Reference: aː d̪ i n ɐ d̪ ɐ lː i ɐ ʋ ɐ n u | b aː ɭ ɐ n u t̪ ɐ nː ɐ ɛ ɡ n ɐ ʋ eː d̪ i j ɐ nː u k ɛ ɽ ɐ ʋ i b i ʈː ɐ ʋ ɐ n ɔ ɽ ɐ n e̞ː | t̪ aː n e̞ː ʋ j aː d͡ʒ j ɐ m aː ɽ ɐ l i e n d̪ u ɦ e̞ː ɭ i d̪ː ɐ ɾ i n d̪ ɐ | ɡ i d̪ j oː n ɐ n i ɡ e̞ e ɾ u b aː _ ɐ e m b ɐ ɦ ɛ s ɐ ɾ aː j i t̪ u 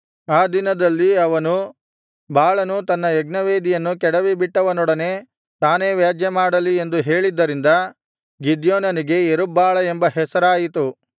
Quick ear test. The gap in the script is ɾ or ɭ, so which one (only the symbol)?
ɭ